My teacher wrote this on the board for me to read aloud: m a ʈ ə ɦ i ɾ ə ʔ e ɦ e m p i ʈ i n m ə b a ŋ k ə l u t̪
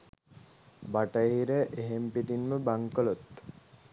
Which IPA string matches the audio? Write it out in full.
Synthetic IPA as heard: b a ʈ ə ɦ i ɾ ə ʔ e ɦ e m p i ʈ i n m ə b a ŋ k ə l o t̪